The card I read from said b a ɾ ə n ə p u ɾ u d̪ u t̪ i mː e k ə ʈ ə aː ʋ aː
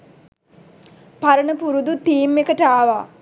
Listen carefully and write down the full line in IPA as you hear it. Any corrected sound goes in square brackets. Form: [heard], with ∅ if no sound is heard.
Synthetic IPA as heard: [p] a ɾ ə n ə p u ɾ u d̪ u t̪ [iː] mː e k ə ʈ ə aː ʋ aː